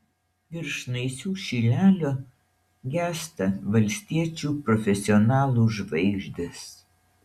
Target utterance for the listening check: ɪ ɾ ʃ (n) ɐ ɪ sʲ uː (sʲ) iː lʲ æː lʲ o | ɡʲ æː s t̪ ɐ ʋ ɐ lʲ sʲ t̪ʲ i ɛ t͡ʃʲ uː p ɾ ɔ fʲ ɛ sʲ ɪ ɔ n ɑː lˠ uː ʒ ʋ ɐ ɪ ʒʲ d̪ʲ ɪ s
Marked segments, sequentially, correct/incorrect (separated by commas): correct, incorrect